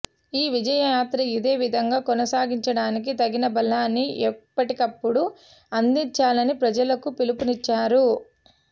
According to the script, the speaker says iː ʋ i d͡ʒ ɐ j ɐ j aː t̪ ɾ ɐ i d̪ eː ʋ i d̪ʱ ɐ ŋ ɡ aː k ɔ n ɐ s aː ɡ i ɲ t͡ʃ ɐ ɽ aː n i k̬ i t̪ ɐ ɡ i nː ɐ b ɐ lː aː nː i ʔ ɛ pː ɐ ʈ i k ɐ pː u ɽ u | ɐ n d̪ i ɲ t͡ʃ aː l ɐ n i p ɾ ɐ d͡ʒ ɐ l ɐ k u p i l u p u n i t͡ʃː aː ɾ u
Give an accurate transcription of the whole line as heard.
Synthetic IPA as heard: iː ʋ i d͡ʒ ɐ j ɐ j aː t̪ ɾ ɐ i d̪ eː ʋ i d̪ʱ ɐ ŋ ɡ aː k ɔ n ɐ s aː ɡ i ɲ t͡ʃ ɐ ɽ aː n i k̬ i t̪ ɐ ɡ i n ɐ b ɐ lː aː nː i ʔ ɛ pː ɐ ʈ i k ɐ pː u ɽ u | ɐ n d̪ i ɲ t͡ʃ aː l ɐ n i p ɾ ɐ d͡ʒ ɐ l ɐ k u p i l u p u n i t͡ʃː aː ɾ u